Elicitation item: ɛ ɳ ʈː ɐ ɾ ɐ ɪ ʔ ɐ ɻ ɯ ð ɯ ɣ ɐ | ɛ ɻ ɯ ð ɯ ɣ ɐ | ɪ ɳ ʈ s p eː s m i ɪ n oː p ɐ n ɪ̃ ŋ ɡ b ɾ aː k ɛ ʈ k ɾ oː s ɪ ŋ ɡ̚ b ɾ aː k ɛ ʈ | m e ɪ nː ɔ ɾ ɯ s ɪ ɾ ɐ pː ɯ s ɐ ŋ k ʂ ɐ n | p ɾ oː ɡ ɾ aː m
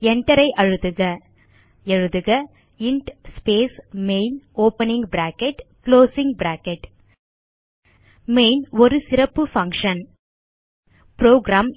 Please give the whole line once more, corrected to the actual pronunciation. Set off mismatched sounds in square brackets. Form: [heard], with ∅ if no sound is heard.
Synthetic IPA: ɛ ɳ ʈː ɐ ɾ ɐ ɪ ʔ ɐ ɻ ɯ ð ɯ ɣ ɐ | ɛ ɻ ɯ ð ɯ ɣ ɐ | ɪ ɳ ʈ s p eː s m [e] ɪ n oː p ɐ n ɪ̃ ŋ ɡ b ɾ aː k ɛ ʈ k [l] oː s ɪ ŋ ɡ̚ b ɾ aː k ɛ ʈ | m e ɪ [n] ɔ ɾ ɯ s ɪ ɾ ɐ pː ɯ [f] ɐ ŋ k ʂ ɐ n | p ɾ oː ɡ ɾ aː m

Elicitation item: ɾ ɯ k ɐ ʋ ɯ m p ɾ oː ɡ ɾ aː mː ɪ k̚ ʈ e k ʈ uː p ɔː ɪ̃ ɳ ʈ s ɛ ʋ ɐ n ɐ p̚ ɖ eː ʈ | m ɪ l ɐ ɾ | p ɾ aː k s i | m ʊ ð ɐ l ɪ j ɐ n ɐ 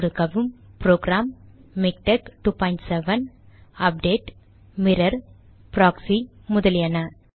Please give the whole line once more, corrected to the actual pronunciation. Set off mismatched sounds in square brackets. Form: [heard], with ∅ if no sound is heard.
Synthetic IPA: ɾ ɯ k ɐ ʋ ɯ m p ɾ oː ɡ ɾ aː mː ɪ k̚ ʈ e k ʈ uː p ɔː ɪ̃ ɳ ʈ s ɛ ʋ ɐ n ɐ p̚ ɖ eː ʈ | m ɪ [ɾ] ɐ ɾ | p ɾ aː k s i | m ʊ ð ɐ l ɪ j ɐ n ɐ

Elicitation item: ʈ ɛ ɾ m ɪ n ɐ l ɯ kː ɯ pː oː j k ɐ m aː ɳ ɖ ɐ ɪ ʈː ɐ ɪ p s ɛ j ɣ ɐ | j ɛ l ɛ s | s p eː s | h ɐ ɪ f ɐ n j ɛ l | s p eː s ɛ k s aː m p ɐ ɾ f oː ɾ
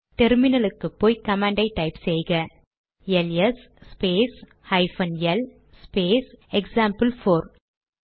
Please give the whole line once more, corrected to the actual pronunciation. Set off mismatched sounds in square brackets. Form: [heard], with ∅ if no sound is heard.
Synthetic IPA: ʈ ɛ ɾ m ɪ n ɐ l ɯ kː ɯ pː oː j k ɐ m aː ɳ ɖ ɐ ɪ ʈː ɐ ɪ p s ɛ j ɣ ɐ | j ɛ l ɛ s | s p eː s | h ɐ ɪ f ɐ n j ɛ l | s p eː s ɛ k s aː m p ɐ [l] f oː ɾ

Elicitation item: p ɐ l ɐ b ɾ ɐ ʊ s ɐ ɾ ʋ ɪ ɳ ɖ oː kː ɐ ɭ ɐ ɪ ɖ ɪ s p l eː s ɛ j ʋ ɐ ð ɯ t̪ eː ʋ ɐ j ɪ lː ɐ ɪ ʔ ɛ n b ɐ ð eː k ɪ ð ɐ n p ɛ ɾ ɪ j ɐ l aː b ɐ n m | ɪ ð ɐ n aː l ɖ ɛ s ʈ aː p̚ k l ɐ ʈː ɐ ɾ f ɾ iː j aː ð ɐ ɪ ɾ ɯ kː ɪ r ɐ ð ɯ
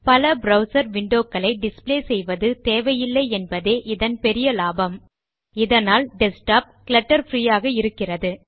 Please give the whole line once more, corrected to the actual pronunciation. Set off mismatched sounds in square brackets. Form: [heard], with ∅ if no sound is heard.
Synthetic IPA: p ɐ l ɐ b ɾ ɐ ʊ s ɐ ɾ ʋ ɪ ɳ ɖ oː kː ɐ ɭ ɐ ɪ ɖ ɪ s p l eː s ɛ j ʋ ɐ ð ɯ t̪ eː ʋ ɐ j ɪ lː ɐ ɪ [∅] ɛ n b ɐ ð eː [ʔ] ɪ ð ɐ n p ɛ ɾ ɪ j ɐ l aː b ɐ [∅] m | ɪ ð ɐ n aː l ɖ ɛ s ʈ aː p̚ k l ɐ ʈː ɐ ɾ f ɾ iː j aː [ɣ] ɐ ɪ ɾ ɯ kː ɪ r ɐ ð ɯ

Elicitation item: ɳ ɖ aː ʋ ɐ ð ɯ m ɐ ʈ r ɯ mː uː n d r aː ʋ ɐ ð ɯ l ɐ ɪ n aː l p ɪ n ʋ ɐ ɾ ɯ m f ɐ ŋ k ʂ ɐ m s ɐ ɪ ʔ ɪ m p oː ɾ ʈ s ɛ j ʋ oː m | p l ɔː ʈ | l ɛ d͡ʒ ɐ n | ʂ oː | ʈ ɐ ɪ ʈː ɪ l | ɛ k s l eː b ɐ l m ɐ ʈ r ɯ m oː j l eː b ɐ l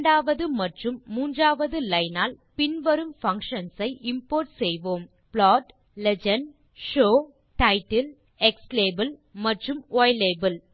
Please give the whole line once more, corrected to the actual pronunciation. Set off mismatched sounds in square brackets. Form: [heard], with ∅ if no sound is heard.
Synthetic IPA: ɳ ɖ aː ʋ ɐ ð ɯ m ɐ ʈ r ɯ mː uː n d r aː ʋ ɐ ð ɯ l ɐ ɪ n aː l p ɪ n ʋ ɐ ɾ ɯ m f ɐ ŋ k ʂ ɐ [n] s ɐ ɪ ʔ ɪ m p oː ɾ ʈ s ɛ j ʋ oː m | p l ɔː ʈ | l ɛ d͡ʒ ɐ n | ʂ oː | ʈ ɐ ɪ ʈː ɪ l | ɛ k s l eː b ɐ l m ɐ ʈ r ɯ m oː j l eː b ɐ l

